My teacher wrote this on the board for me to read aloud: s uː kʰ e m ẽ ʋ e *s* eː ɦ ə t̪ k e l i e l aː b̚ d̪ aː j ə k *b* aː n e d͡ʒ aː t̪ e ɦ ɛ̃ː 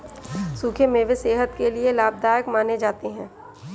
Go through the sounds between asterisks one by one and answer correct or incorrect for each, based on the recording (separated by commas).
correct, incorrect